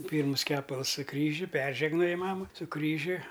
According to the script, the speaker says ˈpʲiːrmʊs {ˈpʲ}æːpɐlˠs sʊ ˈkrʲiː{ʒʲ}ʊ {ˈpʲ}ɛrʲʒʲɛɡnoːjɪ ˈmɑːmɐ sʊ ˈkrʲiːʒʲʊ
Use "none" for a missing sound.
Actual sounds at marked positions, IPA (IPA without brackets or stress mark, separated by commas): kʲ, ʒʲ, pʲ